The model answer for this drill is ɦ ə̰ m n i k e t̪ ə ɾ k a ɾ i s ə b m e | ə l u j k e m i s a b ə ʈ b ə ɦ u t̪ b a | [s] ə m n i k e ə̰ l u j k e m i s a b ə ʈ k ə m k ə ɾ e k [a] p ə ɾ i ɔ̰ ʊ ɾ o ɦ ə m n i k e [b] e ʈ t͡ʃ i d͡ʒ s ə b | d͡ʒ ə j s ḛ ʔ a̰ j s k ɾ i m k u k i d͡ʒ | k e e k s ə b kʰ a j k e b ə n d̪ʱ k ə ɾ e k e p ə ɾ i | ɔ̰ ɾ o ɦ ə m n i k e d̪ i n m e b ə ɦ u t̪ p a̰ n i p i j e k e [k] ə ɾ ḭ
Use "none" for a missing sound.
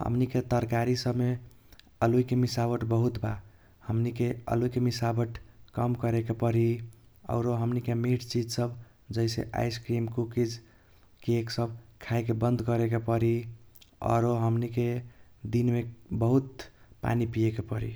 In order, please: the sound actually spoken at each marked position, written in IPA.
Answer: h, e, m, p

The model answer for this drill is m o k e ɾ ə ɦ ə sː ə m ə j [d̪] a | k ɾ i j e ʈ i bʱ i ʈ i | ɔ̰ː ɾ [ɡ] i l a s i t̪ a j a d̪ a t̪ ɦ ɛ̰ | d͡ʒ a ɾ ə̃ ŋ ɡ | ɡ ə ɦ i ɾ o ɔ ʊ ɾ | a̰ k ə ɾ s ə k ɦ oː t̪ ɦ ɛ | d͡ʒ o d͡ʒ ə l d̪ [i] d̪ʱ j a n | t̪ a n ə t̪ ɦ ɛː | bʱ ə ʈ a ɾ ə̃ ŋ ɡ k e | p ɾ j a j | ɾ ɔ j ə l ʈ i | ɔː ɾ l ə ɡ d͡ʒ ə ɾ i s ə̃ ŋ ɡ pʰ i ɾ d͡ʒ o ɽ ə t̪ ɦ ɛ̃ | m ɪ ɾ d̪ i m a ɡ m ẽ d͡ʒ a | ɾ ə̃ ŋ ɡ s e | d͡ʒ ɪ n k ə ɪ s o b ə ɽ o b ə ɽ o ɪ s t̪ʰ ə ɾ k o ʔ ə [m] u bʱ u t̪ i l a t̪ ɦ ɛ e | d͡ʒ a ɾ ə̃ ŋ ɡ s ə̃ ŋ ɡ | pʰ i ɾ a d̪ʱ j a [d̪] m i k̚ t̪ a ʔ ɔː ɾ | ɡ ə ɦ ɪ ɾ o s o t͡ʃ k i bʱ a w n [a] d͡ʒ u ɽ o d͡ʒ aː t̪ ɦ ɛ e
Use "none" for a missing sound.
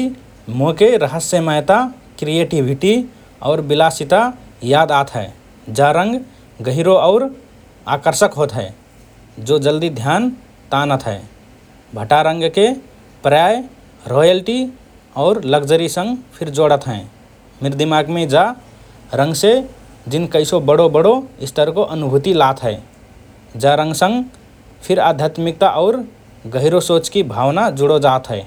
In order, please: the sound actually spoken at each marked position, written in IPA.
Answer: t̪, b, i, n, t̪, a

